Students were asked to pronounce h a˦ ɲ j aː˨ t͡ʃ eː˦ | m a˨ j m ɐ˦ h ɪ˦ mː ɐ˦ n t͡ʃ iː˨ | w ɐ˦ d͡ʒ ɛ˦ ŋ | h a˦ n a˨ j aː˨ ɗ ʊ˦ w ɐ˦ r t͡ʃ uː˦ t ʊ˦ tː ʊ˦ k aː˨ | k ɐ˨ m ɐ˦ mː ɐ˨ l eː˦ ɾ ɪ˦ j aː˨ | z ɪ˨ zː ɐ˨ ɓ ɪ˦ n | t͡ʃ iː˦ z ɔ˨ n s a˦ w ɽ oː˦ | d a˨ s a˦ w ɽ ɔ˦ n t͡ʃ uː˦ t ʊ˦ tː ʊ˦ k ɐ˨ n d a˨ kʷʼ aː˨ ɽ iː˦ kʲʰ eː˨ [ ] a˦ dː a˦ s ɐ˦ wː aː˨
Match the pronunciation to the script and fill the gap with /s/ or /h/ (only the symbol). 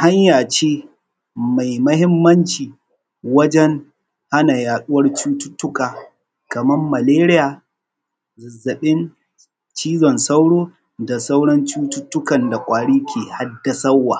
h